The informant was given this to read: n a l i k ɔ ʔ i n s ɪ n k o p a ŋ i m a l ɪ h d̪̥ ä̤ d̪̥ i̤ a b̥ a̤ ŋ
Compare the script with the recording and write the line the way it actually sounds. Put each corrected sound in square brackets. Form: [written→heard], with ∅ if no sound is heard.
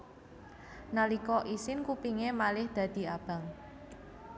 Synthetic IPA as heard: n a l i k ɔ ʔ i [n→∅] s ɪ n k [o→u] p [a→i] ŋ [i→e] m a l ɪ h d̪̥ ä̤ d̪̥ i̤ a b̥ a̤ ŋ